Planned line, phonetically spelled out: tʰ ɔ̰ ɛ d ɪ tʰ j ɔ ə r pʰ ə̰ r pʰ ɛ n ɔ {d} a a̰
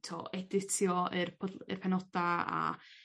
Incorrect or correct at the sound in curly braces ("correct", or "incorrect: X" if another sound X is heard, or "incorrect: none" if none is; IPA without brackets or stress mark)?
correct